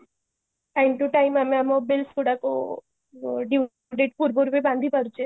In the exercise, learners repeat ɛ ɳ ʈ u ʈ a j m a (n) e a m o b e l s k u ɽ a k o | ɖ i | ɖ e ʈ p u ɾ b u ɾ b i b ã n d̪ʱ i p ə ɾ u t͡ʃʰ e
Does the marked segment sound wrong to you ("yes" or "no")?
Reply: yes